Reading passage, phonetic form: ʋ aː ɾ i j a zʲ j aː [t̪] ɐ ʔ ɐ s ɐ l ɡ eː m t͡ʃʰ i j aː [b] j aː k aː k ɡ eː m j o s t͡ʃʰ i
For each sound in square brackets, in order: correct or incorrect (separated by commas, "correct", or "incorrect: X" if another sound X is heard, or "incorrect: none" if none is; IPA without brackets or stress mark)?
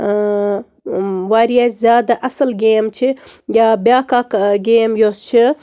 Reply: incorrect: d̪, correct